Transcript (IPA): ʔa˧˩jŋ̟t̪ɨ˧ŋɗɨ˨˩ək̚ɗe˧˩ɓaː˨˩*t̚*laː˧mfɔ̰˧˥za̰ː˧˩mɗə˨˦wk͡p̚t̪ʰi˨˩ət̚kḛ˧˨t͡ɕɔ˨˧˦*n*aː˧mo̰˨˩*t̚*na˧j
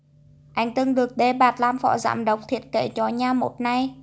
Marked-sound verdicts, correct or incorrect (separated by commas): correct, incorrect, correct